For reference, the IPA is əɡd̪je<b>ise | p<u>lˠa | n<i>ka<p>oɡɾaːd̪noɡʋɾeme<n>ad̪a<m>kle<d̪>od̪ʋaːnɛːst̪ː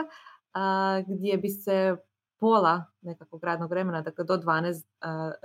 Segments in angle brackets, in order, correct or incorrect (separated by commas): correct, incorrect, incorrect, incorrect, correct, incorrect, correct